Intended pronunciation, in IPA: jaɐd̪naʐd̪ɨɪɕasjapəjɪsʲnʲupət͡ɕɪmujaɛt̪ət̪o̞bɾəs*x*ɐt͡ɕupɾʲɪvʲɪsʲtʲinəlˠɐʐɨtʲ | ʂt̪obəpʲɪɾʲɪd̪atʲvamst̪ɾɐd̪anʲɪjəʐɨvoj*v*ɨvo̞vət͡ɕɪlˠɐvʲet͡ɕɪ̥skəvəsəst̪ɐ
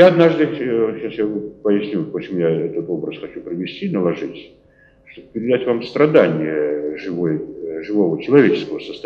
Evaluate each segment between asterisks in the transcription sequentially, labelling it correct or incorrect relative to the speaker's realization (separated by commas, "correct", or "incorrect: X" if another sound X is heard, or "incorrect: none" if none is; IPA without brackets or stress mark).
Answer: correct, incorrect: ʐ